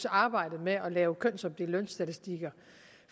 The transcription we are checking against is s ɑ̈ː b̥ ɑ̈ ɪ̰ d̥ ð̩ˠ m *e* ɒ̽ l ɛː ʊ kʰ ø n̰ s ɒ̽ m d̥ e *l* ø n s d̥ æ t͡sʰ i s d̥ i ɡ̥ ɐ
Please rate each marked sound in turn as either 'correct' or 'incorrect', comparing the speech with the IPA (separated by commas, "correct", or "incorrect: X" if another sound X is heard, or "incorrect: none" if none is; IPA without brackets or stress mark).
correct, correct